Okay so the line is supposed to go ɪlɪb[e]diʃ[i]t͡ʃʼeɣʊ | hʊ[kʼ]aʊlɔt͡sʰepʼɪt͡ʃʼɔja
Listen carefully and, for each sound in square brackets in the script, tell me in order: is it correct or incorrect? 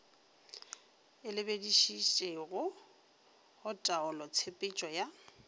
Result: correct, correct, incorrect: tʼ

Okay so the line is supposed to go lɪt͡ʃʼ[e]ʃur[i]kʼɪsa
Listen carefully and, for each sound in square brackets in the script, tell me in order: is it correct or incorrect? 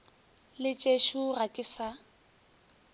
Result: correct, incorrect: a

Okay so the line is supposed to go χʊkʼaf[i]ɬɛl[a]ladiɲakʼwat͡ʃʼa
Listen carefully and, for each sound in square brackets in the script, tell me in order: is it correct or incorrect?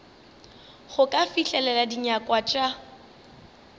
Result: correct, incorrect: ɛ

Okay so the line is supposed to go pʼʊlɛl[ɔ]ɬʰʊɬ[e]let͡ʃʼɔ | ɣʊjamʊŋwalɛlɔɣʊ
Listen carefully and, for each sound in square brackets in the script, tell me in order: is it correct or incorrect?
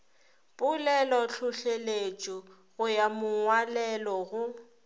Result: correct, correct

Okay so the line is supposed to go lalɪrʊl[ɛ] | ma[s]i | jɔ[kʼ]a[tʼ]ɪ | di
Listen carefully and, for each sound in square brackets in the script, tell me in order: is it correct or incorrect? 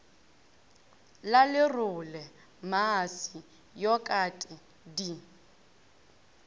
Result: correct, correct, correct, correct

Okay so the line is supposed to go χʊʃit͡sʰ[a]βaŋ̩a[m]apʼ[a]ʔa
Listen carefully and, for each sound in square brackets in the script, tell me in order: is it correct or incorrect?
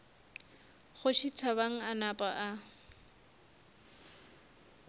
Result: correct, incorrect: n, correct

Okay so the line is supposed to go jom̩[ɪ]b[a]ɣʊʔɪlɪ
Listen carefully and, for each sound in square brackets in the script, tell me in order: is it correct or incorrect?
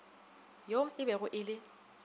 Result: correct, incorrect: ɛ

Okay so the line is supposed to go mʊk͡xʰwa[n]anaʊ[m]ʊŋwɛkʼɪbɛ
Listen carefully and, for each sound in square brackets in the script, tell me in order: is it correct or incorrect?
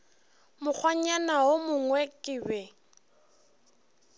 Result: incorrect: ɲ, correct

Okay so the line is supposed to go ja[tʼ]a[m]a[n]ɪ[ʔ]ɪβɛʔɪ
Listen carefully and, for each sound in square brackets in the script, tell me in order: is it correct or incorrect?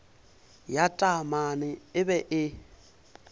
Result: correct, correct, correct, incorrect: none

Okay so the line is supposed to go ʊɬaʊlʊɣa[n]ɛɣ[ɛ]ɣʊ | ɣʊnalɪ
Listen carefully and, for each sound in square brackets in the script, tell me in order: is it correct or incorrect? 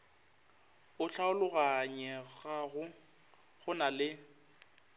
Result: incorrect: ɲ, incorrect: a

